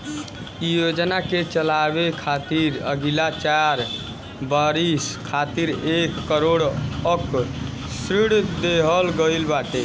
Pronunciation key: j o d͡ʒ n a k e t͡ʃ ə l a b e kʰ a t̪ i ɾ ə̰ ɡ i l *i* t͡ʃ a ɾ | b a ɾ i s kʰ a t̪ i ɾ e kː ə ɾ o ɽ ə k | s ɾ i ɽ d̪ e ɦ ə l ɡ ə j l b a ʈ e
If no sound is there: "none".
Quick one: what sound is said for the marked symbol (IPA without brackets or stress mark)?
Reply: a